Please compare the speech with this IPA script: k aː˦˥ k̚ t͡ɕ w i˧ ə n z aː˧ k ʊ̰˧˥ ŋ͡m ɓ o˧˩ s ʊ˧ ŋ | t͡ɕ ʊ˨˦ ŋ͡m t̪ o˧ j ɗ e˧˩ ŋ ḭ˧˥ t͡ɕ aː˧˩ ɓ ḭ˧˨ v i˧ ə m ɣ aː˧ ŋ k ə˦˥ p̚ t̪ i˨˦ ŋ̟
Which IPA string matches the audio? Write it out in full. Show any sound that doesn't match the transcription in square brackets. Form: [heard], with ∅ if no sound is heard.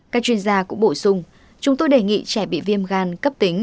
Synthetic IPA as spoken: k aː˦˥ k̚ t͡ɕ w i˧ ə n z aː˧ k ʊ̰˧˥ ŋ͡m ɓ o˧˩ s ʊ˧ [ŋ͡m] | t͡ɕ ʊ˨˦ ŋ͡m t̪ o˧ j ɗ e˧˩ ŋ [ḭ˧˨] t͡ɕ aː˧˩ ɓ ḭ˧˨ v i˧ ə m ɣ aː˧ [n] k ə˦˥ p̚ t̪ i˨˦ ŋ̟